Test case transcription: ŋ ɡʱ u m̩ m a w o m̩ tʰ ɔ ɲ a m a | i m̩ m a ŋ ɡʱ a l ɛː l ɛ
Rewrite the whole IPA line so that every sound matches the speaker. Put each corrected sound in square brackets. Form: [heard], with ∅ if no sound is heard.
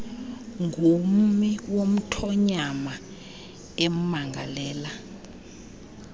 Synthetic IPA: ŋ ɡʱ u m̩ m [i] w o m̩ tʰ ɔ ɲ a m a | [e] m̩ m a ŋ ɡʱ a l ɛː l [a]

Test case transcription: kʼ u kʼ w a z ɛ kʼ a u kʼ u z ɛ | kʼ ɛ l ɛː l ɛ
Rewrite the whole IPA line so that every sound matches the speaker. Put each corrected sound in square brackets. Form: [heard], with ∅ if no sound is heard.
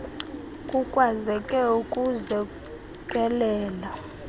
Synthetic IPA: kʼ u kʼ w a z ɛ kʼ [ɛ] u kʼ u z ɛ | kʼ ɛ l ɛː l [a]

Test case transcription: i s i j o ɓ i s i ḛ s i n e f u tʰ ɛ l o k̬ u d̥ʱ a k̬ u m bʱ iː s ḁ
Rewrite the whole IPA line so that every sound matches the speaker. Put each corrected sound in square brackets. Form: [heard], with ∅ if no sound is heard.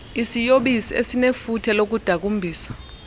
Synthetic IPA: i s i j o ɓ i s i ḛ s i n e f u tʰ ɛ l o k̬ u d̥ʱ a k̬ u m bʱ iː s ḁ

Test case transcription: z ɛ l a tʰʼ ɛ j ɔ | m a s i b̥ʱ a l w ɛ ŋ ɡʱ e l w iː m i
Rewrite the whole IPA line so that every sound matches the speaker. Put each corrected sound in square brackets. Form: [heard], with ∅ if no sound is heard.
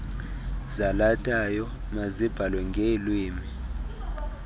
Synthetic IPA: z [a] l a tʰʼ [a] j ɔ | m a [z] i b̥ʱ a l w ɛ ŋ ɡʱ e l w iː m i

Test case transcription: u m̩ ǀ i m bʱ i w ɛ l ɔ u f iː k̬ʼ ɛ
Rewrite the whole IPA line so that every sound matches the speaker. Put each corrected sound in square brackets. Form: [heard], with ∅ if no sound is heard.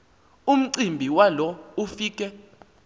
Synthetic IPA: u m̩ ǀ i m bʱ i w [a] l ɔ u f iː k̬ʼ ɛ

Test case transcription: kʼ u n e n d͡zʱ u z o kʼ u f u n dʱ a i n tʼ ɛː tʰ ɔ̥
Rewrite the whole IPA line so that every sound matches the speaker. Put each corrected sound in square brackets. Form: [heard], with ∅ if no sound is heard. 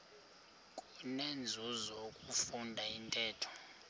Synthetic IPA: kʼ u n e n d͡zʱ u z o kʼ u f u n dʱ a i n tʼ ɛː tʰ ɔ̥

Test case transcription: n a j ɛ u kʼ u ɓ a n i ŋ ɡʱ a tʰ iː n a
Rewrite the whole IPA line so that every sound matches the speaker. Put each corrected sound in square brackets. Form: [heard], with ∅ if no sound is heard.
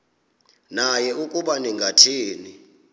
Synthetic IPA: n a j ɛ u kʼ u ɓ a n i ŋ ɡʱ a tʰ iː n [i]

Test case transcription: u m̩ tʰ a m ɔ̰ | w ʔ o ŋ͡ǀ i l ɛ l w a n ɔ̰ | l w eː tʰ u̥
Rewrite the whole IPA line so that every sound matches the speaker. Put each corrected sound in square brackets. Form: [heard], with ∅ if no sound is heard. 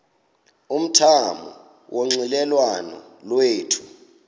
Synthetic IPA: u m̩ tʰ a m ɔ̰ | w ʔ o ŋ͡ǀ i l ɛ l w a n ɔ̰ | l w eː tʰ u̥

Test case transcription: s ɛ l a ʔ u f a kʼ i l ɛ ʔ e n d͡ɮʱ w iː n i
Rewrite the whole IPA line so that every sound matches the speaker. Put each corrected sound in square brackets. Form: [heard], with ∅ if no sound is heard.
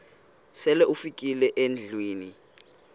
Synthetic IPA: s ɛ l [ɛ] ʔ u f [i] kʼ i l ɛ ʔ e n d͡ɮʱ w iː n i

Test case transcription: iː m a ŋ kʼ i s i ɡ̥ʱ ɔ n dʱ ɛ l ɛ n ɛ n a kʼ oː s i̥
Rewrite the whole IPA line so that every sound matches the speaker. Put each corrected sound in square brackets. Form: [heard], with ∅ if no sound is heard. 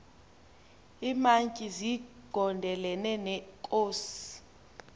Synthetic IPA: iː m a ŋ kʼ i [z] i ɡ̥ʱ ɔ n dʱ ɛ l ɛ n ɛ n [ɛ] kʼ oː s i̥

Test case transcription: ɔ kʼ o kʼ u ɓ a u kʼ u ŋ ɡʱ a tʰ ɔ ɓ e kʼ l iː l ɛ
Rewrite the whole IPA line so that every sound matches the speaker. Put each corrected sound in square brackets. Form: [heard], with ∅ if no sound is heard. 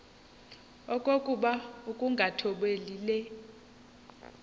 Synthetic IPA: ɔ kʼ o kʼ u ɓ a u kʼ u ŋ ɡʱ a tʰ ɔ ɓ e [∅] l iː l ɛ

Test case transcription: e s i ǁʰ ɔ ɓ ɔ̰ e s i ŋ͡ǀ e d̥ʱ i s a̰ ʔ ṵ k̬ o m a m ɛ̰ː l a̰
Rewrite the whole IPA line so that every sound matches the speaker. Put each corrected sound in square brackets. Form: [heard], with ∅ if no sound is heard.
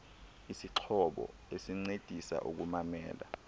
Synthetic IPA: [i] s i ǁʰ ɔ ɓ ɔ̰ e s i ŋ͡ǀ e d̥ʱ i s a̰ ʔ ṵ k̬ [u] m a m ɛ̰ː l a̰

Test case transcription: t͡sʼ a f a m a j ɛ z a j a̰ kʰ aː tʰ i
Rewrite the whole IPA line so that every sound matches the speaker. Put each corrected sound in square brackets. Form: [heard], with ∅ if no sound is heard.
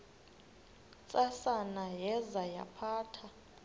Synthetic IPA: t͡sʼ a [s] a [n] a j ɛ z a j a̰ [pʰ] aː tʰ [a]

